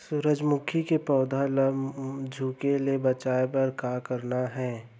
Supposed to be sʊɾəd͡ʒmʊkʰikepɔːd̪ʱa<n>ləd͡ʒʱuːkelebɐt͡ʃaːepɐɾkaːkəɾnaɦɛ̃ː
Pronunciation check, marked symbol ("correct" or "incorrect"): incorrect